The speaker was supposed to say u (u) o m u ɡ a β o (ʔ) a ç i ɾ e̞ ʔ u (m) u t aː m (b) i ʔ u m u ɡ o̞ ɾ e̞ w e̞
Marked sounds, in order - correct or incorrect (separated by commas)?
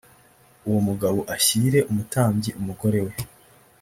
incorrect, correct, correct, incorrect